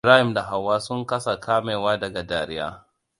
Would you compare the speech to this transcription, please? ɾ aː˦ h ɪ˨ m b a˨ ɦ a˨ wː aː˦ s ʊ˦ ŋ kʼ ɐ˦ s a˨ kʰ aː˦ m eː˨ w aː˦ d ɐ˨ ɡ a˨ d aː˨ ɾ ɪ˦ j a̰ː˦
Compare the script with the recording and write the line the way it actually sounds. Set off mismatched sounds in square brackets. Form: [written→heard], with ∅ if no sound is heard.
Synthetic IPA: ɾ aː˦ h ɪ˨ m [b→d] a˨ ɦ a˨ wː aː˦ s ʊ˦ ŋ [kʼ→k] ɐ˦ s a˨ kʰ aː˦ m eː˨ w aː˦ d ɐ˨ ɡ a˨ d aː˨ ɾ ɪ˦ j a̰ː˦

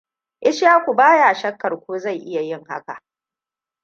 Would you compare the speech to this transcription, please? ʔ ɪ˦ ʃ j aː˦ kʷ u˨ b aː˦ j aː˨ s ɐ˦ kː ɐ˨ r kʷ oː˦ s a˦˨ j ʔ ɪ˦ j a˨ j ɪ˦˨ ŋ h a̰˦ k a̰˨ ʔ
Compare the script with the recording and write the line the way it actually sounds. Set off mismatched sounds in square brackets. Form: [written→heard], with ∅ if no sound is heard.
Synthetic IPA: ʔ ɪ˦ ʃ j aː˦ kʷ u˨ b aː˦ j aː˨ [s→ʃ] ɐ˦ kː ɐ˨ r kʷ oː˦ [s→z] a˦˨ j ʔ ɪ˦ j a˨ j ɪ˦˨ ŋ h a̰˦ k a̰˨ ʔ

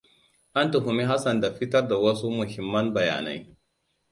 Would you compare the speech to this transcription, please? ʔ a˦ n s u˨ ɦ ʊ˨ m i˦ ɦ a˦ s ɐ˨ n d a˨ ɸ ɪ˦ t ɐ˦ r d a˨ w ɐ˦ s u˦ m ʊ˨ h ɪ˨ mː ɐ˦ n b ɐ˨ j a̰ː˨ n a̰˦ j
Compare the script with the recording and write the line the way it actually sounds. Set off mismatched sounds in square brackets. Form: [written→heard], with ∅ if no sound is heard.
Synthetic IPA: ʔ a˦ n [s→t] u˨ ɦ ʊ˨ m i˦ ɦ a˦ s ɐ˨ n d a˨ ɸ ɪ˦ t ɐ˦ r d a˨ w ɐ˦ s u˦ m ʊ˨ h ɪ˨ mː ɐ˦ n b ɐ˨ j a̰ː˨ n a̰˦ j

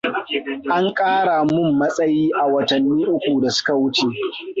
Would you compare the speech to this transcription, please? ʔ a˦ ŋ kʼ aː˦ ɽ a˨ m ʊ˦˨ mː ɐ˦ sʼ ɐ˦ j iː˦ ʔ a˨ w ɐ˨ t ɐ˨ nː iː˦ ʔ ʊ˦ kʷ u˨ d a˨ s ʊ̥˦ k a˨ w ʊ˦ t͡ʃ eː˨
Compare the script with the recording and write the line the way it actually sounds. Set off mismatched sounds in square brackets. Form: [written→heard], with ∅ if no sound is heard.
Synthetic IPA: ʔ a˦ ŋ kʼ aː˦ ɽ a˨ m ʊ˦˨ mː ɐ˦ sʼ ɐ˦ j iː˦ ʔ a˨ w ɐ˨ t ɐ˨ nː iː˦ ʔ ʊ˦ kʷ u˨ d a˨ s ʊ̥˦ k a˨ w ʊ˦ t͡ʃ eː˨

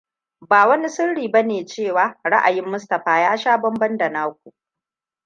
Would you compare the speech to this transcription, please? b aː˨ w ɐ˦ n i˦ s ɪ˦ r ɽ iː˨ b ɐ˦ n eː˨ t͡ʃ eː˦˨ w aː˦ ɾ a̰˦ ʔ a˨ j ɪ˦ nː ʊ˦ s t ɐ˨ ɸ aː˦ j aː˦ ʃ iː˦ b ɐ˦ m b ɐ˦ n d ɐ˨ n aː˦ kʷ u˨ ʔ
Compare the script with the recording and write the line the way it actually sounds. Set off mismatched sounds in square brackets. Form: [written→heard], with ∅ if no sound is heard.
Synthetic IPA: b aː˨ w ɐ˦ n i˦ s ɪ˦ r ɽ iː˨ b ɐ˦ n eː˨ t͡ʃ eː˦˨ w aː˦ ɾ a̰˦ ʔ a˨ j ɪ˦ [nː→mː] ʊ˦ s t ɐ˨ ɸ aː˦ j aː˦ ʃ [iː˦→aː˦] b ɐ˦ m b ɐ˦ n d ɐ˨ n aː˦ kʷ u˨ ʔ

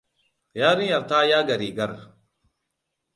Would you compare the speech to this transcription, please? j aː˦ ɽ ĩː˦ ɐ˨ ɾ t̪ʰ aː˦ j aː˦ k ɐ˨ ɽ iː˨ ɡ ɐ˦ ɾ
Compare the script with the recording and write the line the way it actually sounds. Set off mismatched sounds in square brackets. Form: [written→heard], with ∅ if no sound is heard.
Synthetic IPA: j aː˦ [ɽ→ɾ] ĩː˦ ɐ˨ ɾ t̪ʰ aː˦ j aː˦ [k→ɡ] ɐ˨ [ɽ→ɾ] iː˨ ɡ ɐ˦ ɾ

